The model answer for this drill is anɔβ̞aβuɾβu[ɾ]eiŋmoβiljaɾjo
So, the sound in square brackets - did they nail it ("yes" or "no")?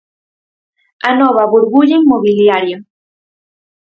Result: no